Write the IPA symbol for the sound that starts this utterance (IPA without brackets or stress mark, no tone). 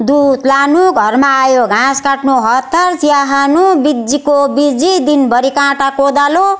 d̪